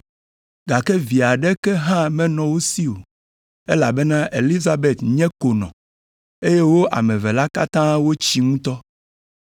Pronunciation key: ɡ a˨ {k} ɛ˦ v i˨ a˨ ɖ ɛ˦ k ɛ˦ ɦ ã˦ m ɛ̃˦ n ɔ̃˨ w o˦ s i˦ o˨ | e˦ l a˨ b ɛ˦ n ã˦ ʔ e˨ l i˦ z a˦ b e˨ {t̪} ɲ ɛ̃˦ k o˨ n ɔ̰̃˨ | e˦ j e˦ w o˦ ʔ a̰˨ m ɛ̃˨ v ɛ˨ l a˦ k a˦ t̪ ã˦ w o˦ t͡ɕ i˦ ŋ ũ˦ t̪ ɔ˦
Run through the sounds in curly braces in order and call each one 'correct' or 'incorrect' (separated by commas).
correct, correct